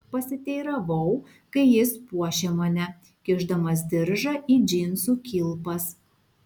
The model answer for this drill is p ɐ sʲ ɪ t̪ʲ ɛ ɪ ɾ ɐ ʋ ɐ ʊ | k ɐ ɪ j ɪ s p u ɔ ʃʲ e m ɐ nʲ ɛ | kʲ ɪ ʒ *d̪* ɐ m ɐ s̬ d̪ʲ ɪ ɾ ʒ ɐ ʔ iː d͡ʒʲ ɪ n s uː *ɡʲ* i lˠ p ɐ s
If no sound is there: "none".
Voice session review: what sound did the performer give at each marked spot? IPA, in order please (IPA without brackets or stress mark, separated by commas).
d̪, kʲ